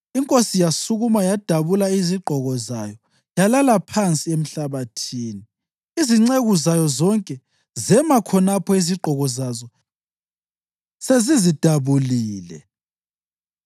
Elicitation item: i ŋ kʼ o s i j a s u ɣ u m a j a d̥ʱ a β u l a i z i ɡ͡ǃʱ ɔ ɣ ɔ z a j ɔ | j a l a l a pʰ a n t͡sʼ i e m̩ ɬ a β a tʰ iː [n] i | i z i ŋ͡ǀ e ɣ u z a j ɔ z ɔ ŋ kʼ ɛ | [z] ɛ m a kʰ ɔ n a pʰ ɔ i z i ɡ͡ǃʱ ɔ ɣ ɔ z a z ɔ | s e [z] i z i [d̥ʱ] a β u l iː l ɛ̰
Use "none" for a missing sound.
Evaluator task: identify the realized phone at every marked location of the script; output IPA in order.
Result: n, z, z, d̥ʱ

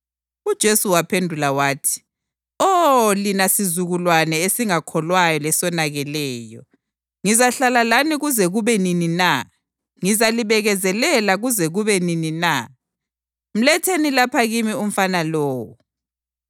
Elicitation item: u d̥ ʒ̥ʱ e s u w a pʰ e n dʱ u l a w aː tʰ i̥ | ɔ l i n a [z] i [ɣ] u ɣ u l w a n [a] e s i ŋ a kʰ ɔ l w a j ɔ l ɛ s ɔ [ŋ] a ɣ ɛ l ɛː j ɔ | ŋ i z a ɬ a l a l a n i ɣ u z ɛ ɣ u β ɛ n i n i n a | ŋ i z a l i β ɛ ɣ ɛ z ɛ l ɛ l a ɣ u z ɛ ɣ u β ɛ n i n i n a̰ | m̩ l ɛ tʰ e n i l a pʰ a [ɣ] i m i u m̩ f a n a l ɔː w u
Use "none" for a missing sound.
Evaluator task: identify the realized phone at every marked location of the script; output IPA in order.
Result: s, z, ɛ, n, ɣ

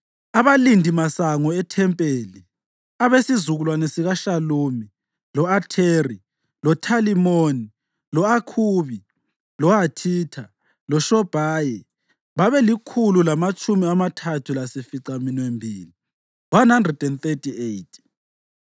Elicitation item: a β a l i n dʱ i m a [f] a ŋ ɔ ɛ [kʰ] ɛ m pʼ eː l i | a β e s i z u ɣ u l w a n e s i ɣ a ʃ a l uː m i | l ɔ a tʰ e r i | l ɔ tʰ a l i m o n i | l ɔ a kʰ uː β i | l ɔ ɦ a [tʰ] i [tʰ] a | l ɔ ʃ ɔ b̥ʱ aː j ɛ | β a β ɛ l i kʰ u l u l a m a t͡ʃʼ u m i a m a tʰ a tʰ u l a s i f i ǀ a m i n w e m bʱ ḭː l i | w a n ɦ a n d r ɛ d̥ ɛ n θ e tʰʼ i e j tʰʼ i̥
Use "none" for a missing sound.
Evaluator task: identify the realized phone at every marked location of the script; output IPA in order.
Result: s, tʰ, tʰ, tʰ

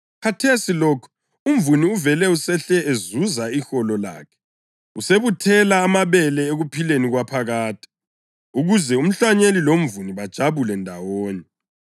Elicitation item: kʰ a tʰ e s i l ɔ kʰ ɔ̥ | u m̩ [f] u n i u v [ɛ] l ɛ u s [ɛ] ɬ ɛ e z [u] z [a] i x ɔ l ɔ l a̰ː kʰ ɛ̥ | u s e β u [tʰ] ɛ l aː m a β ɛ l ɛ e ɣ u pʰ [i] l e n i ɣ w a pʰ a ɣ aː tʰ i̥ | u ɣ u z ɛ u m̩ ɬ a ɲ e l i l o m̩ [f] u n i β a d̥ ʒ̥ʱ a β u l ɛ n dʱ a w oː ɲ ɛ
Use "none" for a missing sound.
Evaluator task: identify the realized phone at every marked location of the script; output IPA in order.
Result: v, ɛ, ɛ, u, a, tʰ, i, v

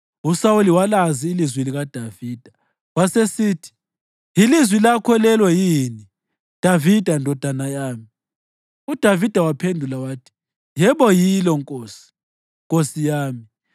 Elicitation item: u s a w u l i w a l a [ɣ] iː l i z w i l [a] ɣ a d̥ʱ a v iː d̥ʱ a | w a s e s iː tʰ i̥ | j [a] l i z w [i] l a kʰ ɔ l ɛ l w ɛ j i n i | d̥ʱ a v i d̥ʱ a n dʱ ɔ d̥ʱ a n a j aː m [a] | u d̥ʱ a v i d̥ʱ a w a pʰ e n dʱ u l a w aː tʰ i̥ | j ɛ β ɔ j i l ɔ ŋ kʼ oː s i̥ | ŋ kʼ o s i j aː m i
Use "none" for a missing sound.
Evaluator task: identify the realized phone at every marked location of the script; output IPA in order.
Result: z, i, i, i, i

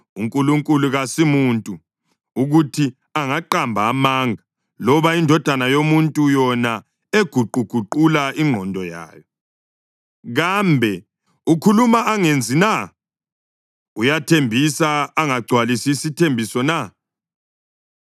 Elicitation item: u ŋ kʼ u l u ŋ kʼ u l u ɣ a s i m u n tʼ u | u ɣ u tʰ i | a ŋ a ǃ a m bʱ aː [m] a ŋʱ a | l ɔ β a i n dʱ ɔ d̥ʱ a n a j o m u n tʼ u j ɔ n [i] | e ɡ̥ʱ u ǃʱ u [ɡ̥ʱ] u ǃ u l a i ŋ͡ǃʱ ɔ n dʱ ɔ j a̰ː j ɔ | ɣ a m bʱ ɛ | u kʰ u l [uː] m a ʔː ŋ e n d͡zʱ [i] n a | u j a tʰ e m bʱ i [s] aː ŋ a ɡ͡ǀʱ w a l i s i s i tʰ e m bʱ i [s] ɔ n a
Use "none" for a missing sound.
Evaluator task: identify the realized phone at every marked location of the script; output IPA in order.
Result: m, a, ɡ̥ʱ, u, i, s, s

